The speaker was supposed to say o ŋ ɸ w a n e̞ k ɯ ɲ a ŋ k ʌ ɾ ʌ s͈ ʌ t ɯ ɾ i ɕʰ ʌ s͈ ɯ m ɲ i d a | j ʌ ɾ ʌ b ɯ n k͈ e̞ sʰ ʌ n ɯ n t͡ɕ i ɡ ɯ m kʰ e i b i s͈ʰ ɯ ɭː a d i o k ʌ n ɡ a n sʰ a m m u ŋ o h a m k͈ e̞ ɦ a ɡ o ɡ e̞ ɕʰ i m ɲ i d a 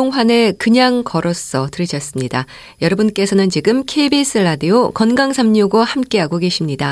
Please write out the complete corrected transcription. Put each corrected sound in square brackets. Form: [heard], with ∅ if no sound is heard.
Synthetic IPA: o ŋ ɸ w a n e̞ k ɯ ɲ a ŋ k ʌ ɾ ʌ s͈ ʌ t ɯ ɾ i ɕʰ ʌ s͈ ɯ m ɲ i d a | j ʌ ɾ ʌ b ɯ n k͈ e̞ sʰ ʌ n ɯ n t͡ɕ i ɡ ɯ m kʰ e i b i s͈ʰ ɯ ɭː a d i o k ʌ n ɡ a [ŋ] sʰ a m [ɲ] u [ɡ] o h a m k͈ e̞ ɦ a ɡ o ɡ e̞ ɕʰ i m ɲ i d a